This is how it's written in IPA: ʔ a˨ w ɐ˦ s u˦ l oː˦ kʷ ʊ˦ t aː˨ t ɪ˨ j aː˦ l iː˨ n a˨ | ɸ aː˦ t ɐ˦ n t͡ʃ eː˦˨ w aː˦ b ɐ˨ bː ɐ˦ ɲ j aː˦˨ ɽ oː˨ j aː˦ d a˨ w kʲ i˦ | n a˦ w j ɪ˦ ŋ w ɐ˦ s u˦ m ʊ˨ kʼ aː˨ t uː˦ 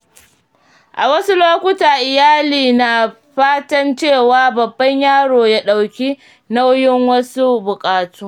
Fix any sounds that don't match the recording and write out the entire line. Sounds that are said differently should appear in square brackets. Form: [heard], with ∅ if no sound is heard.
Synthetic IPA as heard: ʔ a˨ w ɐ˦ s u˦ l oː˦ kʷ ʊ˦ t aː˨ [ʔ] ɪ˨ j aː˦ l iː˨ n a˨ | ɸ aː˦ t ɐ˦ n t͡ʃ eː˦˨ w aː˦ b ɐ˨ bː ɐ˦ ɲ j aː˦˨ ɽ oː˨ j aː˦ [ɗ] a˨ w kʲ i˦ | n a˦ w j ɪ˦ ŋ w ɐ˦ s u˦ [b] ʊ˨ kʼ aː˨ t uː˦